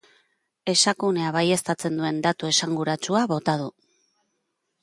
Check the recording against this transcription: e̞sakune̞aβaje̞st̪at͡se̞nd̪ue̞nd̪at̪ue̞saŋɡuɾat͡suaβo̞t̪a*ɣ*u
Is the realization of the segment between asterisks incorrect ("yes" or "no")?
yes